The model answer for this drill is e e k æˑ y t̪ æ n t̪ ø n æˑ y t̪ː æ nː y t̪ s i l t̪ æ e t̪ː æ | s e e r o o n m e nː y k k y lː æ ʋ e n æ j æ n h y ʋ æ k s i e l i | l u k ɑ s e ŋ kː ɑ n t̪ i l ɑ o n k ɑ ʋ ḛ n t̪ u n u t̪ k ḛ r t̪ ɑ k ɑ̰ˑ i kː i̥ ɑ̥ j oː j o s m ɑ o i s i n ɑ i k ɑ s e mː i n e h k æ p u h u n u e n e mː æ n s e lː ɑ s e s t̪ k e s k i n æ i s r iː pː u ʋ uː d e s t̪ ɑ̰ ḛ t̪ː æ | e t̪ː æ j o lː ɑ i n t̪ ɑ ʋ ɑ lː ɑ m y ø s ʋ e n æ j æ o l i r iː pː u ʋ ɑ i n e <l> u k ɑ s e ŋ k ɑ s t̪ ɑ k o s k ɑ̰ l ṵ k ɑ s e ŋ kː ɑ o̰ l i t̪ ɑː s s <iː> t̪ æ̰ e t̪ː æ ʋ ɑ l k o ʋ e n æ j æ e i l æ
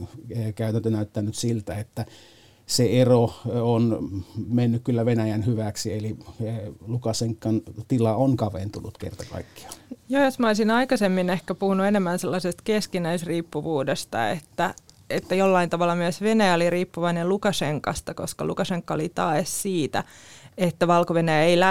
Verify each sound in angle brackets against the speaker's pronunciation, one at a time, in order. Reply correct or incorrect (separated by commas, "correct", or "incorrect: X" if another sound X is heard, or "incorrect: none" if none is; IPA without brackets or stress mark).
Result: correct, correct